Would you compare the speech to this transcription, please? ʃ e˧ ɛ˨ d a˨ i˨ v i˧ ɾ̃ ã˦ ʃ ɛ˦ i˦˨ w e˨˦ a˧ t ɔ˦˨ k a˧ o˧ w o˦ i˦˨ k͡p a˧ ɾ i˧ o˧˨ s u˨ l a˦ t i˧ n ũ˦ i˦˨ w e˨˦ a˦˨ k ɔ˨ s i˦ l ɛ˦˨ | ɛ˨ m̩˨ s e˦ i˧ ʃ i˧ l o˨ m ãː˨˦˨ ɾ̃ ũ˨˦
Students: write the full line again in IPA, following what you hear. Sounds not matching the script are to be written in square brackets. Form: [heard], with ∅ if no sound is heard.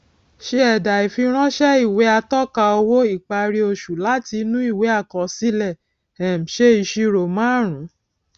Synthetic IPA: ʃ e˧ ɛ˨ d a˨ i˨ [f] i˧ ɾ̃ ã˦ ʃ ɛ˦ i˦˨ w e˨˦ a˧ t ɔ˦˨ k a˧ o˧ w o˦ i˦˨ k͡p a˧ ɾ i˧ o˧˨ [ʃ] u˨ l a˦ t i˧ n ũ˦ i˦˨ w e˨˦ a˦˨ k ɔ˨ s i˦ l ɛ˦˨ | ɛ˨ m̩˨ [ʃ] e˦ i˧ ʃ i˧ [ɾ] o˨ m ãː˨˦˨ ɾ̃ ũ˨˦